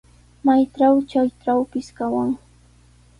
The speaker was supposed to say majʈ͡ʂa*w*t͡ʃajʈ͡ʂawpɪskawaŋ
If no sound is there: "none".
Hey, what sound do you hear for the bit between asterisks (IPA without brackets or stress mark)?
w